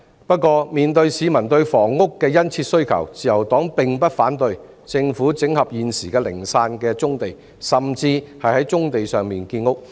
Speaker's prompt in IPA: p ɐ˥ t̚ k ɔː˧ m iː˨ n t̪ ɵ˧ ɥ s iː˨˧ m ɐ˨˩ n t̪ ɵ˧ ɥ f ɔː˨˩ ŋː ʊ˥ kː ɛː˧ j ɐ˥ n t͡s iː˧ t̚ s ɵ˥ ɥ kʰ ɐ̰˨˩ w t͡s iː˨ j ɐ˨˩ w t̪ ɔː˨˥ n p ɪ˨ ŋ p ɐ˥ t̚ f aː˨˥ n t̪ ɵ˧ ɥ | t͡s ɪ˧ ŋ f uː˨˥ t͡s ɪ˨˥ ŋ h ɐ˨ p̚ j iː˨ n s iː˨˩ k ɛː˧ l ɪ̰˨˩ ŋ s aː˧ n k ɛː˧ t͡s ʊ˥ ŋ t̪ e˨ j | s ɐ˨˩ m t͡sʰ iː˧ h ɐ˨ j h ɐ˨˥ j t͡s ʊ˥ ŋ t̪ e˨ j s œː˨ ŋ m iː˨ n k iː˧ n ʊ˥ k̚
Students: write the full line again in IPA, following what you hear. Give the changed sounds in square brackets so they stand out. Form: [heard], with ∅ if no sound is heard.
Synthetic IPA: p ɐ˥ t̚ k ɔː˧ m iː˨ n t̪ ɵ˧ ɥ s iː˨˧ m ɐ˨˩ n t̪ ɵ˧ ɥ f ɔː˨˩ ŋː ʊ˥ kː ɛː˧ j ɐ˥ n [t͡sʰ] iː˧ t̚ s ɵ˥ ɥ kʰ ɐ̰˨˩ w t͡s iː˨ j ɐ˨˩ w t̪ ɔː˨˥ [ŋ] p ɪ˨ ŋ p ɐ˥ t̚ f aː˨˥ n t̪ ɵ˧ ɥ | t͡s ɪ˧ ŋ f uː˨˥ t͡s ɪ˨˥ ŋ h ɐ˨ p̚ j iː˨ n s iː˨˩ k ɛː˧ l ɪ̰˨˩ ŋ s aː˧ n k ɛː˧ t͡s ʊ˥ ŋ t̪ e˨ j | s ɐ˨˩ m [t͡s] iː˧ h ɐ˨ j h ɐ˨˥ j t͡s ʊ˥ ŋ t̪ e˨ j s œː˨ ŋ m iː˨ n k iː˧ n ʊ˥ k̚